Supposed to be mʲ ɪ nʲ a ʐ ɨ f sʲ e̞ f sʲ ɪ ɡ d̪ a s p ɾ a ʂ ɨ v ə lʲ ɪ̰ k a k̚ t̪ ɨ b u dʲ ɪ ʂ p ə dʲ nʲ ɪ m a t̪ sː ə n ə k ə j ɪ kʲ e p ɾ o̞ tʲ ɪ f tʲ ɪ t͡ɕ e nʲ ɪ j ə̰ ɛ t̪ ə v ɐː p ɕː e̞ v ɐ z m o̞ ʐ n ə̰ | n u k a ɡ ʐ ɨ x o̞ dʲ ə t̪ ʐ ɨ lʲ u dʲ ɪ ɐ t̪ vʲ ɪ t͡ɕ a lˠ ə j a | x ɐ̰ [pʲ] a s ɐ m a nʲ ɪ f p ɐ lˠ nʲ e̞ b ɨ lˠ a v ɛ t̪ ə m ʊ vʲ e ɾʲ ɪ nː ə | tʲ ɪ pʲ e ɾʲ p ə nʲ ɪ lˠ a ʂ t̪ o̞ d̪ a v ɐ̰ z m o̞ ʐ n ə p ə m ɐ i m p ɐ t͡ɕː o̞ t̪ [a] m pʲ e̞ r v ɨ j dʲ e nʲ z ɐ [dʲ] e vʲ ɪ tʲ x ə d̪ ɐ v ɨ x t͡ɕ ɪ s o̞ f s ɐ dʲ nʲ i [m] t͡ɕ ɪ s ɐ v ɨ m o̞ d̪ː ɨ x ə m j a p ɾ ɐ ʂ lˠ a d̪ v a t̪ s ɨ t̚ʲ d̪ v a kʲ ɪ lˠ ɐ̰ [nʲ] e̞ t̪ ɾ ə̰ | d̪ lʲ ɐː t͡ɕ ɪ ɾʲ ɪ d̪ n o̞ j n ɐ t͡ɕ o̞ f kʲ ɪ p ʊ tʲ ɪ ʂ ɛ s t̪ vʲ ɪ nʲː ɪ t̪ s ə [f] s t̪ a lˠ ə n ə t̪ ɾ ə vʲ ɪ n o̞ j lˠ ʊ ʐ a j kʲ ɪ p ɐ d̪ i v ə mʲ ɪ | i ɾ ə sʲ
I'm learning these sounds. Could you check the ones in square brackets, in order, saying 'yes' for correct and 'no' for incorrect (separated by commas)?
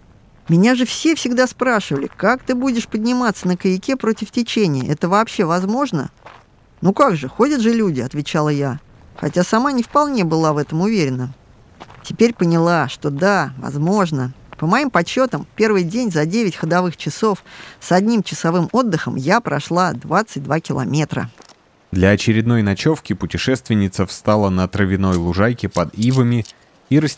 no, no, yes, yes, no, yes